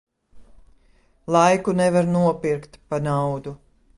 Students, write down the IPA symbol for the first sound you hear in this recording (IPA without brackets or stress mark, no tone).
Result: lˠ